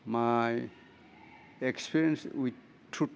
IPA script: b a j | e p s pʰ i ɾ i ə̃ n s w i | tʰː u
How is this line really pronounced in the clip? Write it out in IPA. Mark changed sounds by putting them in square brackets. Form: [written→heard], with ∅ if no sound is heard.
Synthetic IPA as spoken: [b→m] a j | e [p→k] s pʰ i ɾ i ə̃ n s w i | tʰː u